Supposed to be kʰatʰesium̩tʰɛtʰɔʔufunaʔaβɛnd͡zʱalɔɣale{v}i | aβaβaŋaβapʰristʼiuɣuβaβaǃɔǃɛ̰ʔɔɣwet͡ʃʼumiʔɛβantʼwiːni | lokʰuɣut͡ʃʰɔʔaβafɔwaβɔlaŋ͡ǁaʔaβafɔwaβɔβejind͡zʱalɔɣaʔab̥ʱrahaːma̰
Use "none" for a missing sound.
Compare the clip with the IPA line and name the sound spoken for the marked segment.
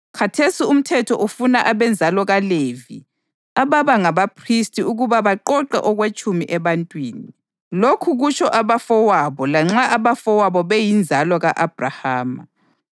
v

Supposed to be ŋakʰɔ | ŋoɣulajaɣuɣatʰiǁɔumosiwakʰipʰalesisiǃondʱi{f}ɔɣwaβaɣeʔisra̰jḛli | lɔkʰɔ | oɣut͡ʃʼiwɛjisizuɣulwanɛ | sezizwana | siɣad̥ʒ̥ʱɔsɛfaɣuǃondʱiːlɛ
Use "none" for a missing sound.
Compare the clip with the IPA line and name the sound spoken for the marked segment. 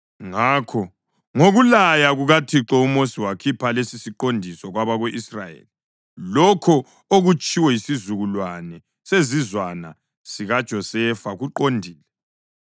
s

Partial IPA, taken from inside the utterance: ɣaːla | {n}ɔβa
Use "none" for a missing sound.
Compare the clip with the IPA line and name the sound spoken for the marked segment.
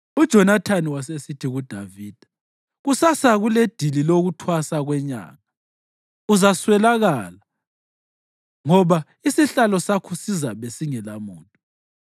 ŋ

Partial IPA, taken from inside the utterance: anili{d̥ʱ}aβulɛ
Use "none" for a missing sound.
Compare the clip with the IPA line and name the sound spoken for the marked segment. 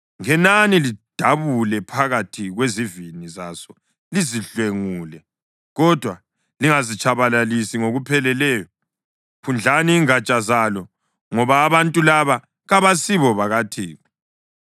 d̥ʱ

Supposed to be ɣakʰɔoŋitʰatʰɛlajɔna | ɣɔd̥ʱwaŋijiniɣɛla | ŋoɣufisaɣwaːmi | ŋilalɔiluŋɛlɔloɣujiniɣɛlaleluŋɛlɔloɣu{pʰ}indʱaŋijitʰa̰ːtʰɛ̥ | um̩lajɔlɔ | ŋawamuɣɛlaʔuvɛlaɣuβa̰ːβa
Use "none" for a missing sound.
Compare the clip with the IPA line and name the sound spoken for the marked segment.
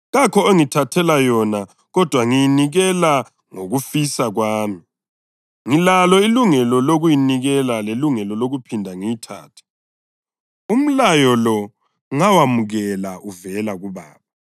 pʰ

